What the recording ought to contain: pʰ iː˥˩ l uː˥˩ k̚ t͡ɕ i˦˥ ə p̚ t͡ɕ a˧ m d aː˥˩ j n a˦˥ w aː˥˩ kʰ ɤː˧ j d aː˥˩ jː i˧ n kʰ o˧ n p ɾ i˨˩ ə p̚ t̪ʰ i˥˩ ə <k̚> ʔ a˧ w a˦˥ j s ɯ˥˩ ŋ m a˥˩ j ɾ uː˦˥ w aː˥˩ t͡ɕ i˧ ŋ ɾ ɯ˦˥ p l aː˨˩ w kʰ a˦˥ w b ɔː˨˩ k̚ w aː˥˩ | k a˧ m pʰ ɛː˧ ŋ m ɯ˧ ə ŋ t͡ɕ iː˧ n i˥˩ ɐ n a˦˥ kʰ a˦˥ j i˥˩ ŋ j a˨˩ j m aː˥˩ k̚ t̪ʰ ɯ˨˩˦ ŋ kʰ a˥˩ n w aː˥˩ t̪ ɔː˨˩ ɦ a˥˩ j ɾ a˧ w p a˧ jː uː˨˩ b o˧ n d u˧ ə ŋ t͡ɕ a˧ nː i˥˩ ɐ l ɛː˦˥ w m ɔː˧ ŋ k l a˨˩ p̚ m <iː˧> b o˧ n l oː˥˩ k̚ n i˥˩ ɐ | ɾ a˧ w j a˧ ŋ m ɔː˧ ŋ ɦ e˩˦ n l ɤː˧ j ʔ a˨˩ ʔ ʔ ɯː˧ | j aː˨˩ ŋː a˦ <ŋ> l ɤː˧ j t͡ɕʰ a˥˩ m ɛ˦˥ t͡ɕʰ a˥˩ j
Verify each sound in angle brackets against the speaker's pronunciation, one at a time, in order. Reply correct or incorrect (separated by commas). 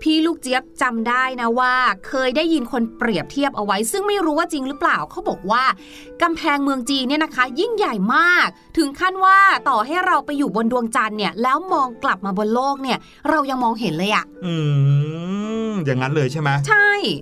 incorrect, incorrect, incorrect